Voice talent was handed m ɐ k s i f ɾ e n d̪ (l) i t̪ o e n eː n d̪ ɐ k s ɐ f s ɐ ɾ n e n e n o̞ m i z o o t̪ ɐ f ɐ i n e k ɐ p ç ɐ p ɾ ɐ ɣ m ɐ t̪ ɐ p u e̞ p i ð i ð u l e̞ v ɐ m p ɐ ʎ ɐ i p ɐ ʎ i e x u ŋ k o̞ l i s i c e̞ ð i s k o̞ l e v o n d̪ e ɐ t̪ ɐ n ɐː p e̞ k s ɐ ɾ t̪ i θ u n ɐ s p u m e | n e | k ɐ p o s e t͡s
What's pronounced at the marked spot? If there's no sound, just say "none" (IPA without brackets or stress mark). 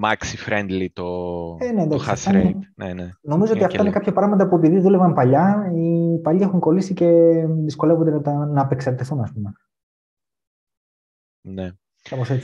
l